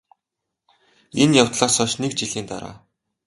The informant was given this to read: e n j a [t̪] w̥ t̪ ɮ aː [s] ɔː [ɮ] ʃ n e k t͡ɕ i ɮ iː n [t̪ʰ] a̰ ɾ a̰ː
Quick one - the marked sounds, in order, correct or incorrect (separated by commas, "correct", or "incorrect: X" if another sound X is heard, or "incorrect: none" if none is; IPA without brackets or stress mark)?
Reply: incorrect: none, correct, incorrect: none, incorrect: t̪